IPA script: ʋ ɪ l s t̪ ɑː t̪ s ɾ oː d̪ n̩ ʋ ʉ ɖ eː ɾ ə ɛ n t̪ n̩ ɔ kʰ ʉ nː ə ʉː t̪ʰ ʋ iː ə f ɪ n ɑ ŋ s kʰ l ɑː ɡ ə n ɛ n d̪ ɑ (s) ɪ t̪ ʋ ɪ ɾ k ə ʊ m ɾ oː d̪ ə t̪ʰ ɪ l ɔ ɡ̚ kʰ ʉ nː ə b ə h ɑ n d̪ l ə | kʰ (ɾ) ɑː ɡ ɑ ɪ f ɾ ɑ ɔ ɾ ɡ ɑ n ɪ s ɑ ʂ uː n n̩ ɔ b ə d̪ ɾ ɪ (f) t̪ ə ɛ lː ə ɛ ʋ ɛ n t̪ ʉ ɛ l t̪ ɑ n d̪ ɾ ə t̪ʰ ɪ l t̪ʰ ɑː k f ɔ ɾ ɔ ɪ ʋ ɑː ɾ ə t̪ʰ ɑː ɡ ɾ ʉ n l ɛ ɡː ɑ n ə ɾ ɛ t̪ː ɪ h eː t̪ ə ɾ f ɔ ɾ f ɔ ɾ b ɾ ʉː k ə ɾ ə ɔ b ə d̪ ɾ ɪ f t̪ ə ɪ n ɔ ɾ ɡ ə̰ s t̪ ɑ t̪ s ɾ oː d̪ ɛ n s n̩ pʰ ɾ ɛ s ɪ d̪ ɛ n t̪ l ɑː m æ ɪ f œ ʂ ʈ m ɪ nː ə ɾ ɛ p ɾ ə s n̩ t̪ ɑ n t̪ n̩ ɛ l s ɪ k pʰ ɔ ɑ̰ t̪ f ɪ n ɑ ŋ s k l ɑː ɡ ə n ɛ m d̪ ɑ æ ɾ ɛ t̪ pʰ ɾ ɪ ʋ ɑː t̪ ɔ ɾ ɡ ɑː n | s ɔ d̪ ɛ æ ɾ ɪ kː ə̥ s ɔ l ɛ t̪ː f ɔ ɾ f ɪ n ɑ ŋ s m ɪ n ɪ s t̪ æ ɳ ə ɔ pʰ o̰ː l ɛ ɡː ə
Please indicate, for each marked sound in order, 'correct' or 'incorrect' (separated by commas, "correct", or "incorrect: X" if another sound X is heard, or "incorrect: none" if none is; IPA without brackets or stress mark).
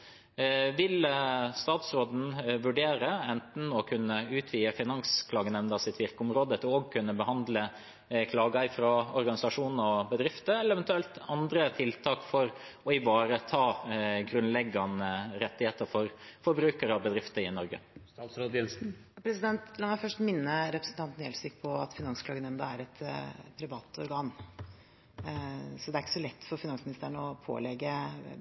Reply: correct, incorrect: l, correct